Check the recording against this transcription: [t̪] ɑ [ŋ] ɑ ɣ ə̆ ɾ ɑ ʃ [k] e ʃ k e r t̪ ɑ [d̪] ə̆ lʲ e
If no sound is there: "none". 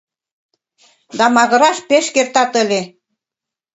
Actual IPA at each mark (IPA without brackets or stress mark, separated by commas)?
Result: d̪, m, p, t̪